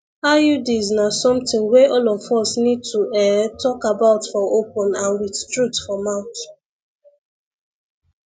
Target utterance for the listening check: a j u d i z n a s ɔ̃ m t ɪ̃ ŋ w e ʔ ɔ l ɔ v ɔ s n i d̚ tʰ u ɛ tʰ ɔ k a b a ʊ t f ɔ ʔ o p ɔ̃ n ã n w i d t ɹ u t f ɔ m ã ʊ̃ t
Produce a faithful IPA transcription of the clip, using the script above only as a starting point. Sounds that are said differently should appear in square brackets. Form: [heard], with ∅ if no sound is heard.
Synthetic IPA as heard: a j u d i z n a s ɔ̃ m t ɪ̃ ŋ w e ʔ ɔ l ɔ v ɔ s n i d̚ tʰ u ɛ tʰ ɔ k a b a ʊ t f ɔ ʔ o p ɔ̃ n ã n w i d t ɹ u t f ɔ m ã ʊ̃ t